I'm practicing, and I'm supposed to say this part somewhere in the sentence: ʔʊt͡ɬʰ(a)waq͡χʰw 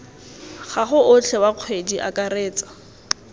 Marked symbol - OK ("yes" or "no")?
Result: no